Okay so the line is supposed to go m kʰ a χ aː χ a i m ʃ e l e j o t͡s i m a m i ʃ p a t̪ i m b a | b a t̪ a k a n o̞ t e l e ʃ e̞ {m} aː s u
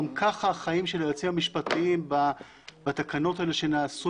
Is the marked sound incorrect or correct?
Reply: incorrect